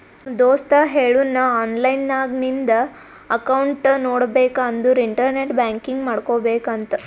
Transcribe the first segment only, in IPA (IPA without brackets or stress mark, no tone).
d̪